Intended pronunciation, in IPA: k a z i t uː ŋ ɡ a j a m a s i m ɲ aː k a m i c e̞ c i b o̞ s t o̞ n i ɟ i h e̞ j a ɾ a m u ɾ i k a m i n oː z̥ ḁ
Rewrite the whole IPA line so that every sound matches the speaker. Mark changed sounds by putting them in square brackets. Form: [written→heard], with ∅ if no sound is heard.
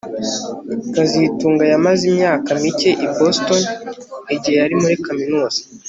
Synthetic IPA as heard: k a z i t uː ŋ ɡ a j a m a [s→z] i m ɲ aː k a m i c e̞ [c→ʔ] i b o̞ s t o̞ n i ɟ i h e̞ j a ɾ [a→i] m u ɾ i k a m i n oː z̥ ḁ

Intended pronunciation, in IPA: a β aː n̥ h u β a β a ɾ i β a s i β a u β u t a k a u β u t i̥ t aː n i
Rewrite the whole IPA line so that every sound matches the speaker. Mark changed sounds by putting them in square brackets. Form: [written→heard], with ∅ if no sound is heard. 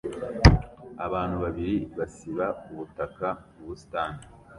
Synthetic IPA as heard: a β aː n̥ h u β a β [a→i] ɾ i β a s i β a u β u t a k a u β u [t→s] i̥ t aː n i

